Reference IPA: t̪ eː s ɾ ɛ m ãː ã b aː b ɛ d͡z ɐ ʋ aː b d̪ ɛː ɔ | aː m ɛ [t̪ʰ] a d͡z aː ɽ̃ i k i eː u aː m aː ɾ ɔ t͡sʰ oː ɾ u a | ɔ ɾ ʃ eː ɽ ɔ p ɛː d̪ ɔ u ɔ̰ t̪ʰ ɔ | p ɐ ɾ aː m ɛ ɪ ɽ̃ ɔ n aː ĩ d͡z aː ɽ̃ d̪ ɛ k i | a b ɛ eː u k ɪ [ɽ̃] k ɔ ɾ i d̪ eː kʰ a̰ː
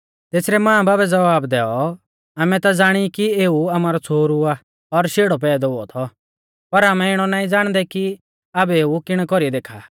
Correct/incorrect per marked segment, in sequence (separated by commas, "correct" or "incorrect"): incorrect, correct